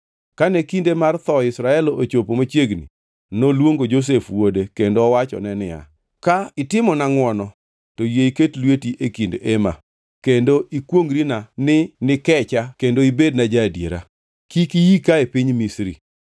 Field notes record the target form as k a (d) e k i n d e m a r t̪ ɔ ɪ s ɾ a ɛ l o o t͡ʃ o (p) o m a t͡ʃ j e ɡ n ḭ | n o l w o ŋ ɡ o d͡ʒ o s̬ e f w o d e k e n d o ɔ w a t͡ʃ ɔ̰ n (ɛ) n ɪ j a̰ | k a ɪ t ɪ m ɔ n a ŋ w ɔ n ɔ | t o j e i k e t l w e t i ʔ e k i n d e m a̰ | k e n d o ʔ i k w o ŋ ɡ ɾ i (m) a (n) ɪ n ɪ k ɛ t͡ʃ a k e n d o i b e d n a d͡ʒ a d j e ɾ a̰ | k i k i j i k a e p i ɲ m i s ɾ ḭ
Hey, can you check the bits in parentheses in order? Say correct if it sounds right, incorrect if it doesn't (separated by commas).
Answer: incorrect, correct, correct, incorrect, correct